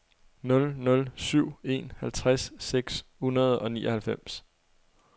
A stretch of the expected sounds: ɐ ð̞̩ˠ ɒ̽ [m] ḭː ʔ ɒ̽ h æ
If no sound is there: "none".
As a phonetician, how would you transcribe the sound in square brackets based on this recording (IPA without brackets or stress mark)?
n